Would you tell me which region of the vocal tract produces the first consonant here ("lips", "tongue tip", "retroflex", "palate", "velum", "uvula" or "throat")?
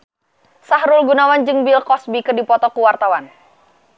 tongue tip